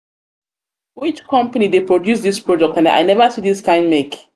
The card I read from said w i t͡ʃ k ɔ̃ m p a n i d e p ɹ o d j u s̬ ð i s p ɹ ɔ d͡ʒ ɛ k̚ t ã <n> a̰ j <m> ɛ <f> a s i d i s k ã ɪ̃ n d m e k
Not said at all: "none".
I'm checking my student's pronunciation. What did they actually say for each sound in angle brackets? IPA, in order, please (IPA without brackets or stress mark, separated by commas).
n, n, v